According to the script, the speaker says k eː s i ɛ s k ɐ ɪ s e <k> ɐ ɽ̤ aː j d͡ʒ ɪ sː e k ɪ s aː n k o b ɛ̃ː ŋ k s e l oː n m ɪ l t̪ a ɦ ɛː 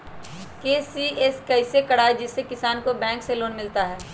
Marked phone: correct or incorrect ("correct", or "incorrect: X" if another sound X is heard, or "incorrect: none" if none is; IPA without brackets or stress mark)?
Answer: correct